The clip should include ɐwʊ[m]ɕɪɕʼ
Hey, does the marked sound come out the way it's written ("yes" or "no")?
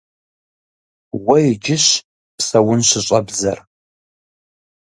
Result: no